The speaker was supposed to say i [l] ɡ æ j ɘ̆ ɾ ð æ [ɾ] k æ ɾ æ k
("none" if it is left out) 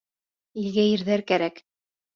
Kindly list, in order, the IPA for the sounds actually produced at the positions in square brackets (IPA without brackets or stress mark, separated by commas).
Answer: l, ɾ